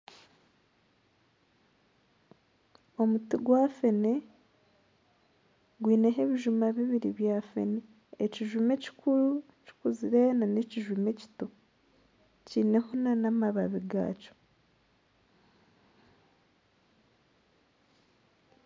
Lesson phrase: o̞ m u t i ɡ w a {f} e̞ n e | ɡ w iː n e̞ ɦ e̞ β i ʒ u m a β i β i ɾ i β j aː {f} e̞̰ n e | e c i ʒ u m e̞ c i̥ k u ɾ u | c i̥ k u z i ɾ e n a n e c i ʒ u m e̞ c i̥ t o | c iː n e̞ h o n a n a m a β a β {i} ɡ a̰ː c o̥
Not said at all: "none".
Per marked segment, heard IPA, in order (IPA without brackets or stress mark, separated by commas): f, f, i